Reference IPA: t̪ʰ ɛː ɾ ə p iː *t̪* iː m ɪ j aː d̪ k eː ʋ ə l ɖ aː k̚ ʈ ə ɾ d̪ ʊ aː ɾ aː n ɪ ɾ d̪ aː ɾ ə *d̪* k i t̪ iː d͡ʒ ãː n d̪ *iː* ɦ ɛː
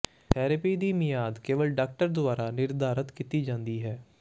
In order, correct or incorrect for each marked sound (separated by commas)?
incorrect, incorrect, correct